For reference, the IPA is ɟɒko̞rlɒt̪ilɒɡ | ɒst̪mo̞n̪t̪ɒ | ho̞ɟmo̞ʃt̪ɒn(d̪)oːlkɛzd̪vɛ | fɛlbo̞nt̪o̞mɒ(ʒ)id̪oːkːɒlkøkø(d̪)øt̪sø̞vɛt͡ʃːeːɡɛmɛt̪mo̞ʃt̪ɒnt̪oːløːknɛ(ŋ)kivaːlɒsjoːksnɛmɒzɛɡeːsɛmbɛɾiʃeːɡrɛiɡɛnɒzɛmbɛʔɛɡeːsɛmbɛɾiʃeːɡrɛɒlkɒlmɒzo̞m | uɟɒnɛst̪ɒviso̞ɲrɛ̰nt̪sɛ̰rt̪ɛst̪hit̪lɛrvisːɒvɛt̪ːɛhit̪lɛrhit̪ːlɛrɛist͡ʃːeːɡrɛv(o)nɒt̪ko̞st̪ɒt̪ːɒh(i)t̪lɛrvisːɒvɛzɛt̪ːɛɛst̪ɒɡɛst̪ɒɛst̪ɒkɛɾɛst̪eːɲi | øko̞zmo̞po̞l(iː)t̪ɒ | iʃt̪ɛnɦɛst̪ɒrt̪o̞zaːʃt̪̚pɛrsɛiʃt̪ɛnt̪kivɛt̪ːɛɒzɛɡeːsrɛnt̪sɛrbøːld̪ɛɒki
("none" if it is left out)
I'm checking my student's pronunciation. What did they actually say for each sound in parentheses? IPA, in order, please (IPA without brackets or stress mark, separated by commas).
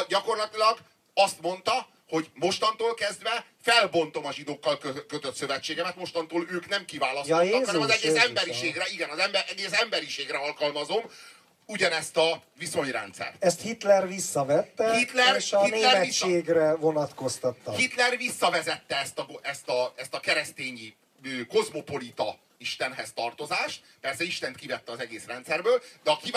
t̪, ʒ, t̪, m, o, i, i